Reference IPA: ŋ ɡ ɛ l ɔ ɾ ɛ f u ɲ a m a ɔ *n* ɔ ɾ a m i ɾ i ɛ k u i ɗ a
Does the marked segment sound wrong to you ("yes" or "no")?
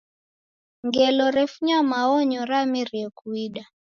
yes